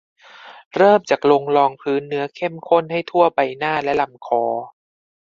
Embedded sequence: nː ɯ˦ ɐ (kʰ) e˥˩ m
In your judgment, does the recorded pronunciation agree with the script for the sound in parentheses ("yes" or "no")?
yes